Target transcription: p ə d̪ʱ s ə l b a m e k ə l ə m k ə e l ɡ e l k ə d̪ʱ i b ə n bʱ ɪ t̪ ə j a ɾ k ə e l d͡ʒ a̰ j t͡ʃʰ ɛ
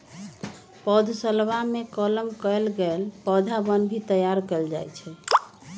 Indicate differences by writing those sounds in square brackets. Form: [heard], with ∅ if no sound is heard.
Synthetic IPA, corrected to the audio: p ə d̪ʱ s ə l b a m e k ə l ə m k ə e l ɡ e l [p] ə d̪ʱ [a] b ə n bʱ [i] t̪ ə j a ɾ k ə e l d͡ʒ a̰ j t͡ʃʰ ɛ